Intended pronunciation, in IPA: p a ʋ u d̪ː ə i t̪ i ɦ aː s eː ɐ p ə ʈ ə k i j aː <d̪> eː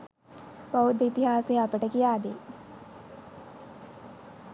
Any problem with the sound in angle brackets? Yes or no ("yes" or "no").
no